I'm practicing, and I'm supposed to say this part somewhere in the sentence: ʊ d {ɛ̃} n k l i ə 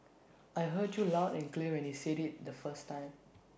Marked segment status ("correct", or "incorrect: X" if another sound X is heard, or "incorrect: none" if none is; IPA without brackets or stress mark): correct